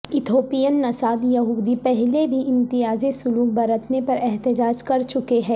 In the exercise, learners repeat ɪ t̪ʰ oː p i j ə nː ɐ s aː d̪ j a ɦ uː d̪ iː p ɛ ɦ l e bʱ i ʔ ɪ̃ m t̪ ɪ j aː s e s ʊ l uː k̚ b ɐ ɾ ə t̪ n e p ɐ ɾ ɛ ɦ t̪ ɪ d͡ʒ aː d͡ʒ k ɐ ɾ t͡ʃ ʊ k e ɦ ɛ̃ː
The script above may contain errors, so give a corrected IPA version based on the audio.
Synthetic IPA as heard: ɪ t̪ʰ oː p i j ə nː ɐ s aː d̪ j ɐ ɦ uː d̪ i p ɛ ɦ l e bʱ i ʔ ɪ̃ m t̪ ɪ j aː z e s ʊ l uː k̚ b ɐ ɾ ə t̪ n e p ɐ ɾ ɛ ɦ t̪ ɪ d͡ʒ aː d͡ʒ k ɐ ɾ t͡ʃ ʊ k e ɦ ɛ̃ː